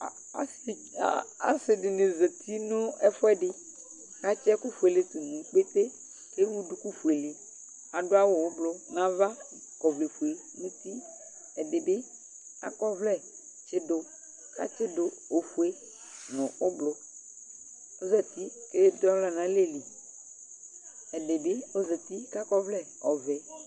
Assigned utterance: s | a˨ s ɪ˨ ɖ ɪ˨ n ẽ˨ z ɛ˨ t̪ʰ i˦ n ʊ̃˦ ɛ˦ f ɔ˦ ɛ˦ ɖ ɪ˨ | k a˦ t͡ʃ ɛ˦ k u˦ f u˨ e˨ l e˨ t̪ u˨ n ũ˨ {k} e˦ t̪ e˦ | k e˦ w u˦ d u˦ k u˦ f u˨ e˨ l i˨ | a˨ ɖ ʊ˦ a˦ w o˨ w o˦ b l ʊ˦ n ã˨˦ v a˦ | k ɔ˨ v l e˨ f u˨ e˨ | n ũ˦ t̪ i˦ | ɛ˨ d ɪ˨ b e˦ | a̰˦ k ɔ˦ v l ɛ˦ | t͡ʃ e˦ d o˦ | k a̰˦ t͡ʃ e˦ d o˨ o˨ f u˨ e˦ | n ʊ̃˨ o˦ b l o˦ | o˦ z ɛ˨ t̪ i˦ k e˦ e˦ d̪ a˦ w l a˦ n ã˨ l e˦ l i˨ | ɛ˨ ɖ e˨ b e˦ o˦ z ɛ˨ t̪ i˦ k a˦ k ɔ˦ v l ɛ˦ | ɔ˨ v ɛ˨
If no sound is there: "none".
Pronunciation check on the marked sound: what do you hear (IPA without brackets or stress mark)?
k͡p